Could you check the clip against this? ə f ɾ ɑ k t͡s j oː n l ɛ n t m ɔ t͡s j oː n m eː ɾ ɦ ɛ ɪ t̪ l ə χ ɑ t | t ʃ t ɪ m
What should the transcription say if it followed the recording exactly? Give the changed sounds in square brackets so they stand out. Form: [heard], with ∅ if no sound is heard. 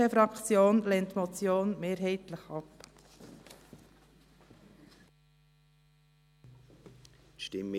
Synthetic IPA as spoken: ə f ɾ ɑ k t͡s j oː n l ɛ n t m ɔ t͡s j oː n m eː ɾ ɦ ɛ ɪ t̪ l ə χ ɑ [p] | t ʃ t ɪ m